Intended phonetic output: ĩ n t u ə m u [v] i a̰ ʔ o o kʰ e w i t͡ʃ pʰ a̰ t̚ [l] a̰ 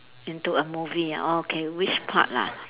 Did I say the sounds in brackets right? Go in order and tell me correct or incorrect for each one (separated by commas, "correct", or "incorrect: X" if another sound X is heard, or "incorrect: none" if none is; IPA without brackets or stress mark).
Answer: correct, correct